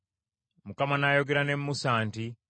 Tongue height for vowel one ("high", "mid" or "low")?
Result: high